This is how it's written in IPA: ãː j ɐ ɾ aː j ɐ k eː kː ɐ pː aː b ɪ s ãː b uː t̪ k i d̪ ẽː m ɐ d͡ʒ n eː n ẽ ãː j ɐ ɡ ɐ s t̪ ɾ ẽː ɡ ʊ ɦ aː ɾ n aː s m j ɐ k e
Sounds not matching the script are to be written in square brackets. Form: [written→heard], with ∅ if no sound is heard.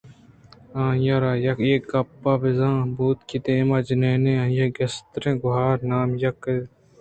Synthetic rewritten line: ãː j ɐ ɾ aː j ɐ k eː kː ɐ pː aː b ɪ [s→z] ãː b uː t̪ k i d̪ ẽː m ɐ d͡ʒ n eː n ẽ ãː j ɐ ɡ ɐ s t̪ ɾ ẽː ɡ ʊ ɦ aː ɾ n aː [s→∅] m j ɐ k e